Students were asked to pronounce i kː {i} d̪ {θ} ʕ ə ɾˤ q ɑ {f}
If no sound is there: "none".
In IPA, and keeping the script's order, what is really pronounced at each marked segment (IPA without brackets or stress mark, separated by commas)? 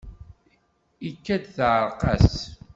æ, θ, s